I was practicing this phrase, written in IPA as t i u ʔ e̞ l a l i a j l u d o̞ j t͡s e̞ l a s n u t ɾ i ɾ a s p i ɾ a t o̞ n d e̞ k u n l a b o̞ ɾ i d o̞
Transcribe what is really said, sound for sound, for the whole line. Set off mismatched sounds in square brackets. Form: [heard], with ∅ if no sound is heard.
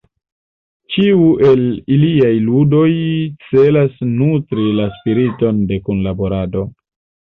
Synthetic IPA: [t͡ʃ] i u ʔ e̞ l [i] l i a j l u d o̞ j t͡s e̞ l a s n u t ɾ i [l] a s p i ɾ [i] t o̞ n d e̞ k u n l a b o̞ ɾ [a] d o̞